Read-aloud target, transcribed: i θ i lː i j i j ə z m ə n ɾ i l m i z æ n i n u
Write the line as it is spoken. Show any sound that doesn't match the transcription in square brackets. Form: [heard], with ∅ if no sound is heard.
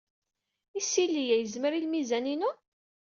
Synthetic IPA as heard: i [s] i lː i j [æ] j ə z m ə [∅] ɾ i l m i z æ n i n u